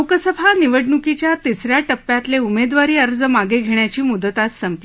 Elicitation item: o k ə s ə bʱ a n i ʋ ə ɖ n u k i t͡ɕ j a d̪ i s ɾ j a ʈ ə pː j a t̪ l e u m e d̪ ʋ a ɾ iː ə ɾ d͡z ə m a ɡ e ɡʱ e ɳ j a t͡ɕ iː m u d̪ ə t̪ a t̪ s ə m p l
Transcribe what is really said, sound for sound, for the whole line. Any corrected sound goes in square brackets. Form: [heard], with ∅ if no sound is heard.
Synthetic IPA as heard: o k ə s ə bʱ a n i ʋ ə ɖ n u k i t͡ɕ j a [t̪] i s ɾ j a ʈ ə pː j a t̪ l e u m e d̪ ʋ a ɾ iː ə ɾ d͡z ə m a ɡ e ɡʱ e ɳ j a t͡ɕ iː m u d̪ ə t̪ a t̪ s ə m p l